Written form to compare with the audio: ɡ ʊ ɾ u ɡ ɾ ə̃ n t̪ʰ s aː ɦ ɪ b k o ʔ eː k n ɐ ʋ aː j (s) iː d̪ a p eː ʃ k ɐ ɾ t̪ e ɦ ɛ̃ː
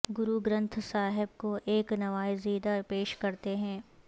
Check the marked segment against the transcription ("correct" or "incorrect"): incorrect